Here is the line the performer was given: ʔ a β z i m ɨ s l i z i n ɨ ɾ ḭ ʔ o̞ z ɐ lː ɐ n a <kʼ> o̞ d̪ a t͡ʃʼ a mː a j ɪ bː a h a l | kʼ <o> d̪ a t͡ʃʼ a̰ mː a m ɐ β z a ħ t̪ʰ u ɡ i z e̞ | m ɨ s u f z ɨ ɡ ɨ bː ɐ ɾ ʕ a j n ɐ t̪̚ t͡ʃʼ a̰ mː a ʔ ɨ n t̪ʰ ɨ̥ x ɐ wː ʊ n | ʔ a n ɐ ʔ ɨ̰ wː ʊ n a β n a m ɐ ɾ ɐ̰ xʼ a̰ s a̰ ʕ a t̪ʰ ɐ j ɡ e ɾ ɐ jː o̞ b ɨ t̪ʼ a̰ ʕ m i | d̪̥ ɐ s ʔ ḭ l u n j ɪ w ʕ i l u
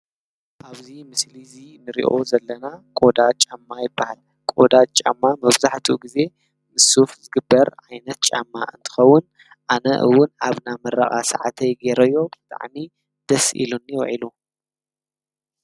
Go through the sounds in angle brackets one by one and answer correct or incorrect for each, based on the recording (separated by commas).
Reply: correct, correct